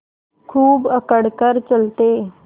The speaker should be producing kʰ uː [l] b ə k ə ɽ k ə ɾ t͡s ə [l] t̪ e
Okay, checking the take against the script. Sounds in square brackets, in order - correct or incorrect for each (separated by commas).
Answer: incorrect, correct